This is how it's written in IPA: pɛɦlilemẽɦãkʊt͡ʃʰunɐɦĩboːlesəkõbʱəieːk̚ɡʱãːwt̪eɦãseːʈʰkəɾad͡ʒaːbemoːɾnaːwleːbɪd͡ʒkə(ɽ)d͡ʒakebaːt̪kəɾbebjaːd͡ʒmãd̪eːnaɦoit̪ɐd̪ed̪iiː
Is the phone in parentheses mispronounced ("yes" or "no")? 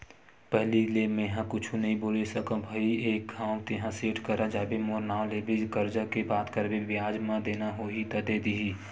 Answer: yes